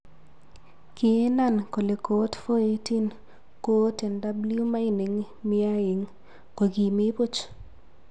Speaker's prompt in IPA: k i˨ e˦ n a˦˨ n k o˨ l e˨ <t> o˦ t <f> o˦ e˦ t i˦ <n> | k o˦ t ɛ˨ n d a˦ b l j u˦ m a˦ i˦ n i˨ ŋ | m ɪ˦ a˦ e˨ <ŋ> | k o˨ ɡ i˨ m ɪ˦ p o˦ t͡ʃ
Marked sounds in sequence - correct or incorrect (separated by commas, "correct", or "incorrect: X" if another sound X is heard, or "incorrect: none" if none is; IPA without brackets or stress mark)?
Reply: incorrect: k, correct, correct, correct